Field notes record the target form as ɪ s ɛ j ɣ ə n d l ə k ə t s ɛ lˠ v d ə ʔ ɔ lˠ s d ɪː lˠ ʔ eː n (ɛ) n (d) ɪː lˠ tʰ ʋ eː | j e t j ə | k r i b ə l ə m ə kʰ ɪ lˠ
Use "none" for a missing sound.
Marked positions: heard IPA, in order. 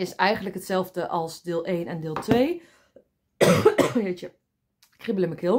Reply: ɛ, d

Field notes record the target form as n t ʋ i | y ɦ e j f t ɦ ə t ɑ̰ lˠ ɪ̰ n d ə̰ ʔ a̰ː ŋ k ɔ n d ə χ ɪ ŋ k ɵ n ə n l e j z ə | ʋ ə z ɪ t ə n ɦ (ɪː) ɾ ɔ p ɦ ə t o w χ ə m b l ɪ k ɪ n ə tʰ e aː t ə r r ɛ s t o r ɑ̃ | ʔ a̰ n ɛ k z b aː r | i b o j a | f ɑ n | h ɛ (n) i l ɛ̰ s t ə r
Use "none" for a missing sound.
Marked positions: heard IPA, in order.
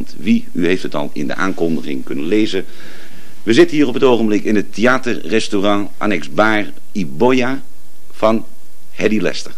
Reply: iː, d

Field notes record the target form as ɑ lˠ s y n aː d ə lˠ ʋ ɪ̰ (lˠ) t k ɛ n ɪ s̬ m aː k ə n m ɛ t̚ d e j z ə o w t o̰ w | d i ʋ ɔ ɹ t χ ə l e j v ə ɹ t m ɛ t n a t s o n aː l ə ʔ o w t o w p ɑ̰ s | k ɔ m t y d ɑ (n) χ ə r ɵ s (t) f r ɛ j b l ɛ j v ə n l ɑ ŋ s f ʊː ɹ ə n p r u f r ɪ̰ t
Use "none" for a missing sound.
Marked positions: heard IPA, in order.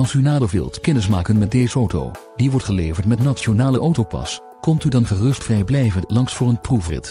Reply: lˠ, n, t

